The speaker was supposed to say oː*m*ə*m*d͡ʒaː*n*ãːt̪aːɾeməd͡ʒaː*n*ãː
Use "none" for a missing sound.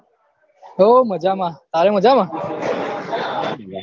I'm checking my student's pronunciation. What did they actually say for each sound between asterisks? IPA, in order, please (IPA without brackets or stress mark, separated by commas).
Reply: m, none, m, m